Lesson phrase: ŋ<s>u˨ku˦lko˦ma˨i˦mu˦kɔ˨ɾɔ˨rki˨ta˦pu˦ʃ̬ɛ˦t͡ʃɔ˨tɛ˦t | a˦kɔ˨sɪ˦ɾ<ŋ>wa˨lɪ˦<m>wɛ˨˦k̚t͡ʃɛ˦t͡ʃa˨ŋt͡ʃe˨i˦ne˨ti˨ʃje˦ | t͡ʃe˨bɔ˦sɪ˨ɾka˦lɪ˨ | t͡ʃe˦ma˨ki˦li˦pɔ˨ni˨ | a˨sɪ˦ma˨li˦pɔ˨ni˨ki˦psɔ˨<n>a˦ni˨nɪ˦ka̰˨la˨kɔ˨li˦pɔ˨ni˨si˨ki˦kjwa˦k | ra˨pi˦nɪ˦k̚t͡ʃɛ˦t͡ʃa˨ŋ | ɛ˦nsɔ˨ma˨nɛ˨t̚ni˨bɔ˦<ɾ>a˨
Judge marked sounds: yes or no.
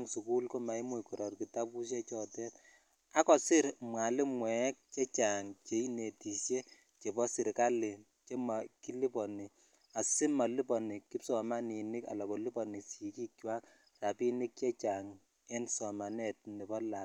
yes, no, yes, no, no

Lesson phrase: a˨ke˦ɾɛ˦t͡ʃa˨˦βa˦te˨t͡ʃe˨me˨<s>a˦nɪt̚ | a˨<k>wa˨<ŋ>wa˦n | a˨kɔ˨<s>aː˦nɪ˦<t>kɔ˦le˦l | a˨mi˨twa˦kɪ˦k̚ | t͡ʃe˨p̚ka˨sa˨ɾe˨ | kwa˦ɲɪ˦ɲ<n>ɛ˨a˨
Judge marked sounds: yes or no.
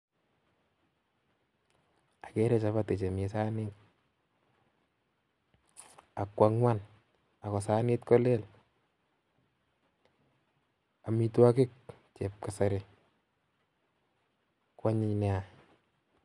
yes, yes, yes, yes, yes, yes

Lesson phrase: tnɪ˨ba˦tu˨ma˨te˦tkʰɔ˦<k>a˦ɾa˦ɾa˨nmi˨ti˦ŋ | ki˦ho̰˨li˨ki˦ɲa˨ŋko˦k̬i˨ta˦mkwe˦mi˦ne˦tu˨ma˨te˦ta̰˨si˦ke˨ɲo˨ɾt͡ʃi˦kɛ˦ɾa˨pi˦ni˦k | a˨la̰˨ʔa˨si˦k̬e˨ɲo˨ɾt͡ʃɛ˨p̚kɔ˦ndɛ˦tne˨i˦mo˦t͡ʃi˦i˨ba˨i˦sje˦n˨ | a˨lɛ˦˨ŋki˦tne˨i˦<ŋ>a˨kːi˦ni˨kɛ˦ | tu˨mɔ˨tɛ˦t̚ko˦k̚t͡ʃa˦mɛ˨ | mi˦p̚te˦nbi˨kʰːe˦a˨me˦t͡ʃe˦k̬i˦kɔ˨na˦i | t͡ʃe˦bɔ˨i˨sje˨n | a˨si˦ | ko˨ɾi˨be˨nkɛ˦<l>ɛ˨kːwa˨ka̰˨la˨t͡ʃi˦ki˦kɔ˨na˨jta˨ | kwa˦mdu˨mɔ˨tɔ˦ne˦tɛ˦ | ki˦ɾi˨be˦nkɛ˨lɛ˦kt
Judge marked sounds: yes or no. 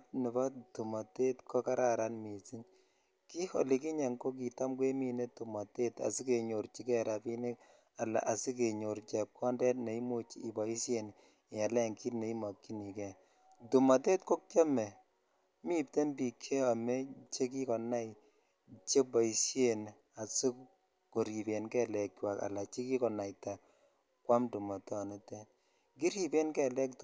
yes, no, yes

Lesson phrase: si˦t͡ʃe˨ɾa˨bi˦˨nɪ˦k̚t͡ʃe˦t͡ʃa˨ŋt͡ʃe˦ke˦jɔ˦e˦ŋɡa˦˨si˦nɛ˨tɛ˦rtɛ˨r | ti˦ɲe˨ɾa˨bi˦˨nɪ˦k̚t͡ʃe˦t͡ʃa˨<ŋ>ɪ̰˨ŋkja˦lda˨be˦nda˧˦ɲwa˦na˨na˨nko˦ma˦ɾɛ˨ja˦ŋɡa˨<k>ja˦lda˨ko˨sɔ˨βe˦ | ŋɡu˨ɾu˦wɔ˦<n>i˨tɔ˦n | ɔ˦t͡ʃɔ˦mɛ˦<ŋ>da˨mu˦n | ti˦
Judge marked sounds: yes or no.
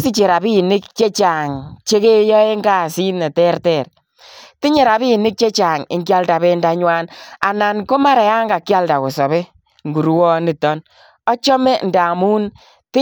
yes, yes, yes, no

